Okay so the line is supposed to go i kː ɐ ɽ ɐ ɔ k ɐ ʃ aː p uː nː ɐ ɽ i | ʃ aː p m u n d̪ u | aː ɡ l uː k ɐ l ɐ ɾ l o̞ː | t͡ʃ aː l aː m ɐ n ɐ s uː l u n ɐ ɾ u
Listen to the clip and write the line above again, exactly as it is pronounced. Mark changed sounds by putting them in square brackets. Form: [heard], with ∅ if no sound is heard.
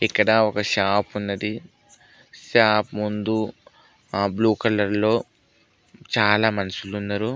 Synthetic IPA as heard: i kː ɐ ɽ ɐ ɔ k ɐ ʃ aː p [u] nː ɐ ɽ i | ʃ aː p m u n d̪ u | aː [b] l uː k ɐ l ɐ ɾ l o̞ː | t͡ʃ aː l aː m ɐ n ɐ s [u] l u [nː] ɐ ɾ u